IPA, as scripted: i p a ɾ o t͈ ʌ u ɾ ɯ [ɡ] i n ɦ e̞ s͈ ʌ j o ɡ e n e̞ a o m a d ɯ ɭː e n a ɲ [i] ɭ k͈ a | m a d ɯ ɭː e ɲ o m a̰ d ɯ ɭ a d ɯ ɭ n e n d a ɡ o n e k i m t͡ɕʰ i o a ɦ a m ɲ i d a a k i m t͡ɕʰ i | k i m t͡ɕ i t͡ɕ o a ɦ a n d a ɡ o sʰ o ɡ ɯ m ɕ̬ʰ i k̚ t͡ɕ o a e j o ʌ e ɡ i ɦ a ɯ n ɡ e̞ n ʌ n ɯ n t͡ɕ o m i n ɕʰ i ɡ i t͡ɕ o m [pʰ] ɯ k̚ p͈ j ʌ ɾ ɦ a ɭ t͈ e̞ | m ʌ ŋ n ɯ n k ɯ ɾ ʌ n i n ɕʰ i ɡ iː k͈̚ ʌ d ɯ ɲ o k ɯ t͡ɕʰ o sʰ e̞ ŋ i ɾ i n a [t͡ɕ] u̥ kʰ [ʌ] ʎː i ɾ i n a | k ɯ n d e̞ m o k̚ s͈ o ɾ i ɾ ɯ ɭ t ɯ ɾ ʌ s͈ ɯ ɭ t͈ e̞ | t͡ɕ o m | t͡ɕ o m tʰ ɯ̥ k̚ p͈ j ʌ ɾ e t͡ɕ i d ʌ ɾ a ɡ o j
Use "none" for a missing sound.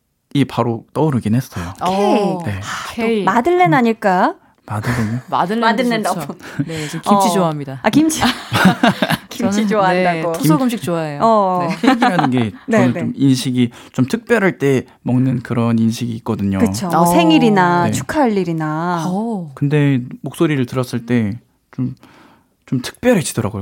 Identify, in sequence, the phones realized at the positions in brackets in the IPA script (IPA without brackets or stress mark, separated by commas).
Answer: ɡ, i, tʰ, t͡ɕʰ, a